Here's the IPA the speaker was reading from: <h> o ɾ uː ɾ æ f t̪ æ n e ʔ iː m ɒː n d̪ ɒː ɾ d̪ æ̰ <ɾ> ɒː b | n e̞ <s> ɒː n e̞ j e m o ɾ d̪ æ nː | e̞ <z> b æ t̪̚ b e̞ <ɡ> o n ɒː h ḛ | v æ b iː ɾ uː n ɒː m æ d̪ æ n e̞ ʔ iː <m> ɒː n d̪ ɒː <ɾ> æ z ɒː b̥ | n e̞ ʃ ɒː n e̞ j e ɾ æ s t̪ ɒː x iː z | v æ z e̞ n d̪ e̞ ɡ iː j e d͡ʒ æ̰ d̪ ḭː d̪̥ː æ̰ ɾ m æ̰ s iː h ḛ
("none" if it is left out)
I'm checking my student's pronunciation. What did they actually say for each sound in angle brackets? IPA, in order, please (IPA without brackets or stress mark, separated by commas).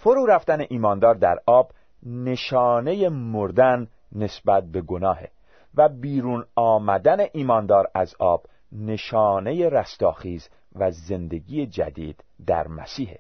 f, ɾ, ʃ, s, ɡ, m, ɾ